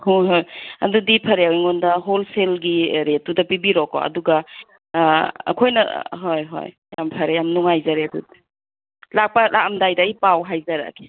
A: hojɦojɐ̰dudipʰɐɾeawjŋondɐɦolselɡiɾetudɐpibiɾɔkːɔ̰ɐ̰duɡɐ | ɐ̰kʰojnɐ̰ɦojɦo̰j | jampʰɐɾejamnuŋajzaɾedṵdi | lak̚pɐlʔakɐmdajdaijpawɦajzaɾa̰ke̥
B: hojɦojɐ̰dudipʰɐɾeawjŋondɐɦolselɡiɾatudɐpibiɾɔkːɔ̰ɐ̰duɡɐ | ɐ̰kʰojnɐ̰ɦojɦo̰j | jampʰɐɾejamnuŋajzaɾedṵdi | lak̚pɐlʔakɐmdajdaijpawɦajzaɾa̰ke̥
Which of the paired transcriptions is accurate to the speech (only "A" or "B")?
A